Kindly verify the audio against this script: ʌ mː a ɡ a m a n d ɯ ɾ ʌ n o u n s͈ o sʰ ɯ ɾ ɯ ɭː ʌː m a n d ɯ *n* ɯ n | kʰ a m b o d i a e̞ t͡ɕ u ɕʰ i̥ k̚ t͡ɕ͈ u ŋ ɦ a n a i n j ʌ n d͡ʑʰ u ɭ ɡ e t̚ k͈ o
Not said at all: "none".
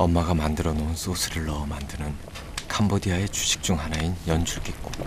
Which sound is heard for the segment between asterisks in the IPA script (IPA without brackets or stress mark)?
n